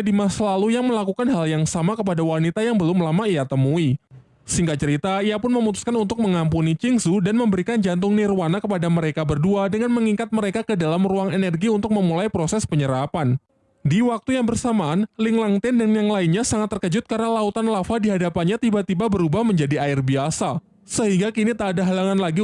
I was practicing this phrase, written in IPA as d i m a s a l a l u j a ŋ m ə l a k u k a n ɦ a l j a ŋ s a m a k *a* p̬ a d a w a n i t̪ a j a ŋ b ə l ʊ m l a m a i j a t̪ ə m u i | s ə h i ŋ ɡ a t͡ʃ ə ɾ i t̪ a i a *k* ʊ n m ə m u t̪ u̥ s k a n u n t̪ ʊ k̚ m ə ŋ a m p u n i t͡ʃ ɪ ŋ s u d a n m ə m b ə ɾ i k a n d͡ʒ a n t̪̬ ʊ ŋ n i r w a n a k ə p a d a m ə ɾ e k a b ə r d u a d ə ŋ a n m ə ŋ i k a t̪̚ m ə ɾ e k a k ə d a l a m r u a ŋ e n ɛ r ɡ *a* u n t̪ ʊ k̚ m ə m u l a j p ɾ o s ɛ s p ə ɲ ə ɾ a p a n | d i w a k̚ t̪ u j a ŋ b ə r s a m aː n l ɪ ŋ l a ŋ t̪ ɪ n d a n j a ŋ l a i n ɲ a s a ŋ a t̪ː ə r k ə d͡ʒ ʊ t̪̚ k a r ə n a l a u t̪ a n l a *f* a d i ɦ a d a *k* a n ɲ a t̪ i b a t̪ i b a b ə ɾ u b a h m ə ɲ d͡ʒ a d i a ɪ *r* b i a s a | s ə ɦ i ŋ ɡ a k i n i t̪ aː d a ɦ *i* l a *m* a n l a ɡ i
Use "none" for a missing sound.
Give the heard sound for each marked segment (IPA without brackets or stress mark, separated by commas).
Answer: ə, p, i, f, p, r, a, ŋ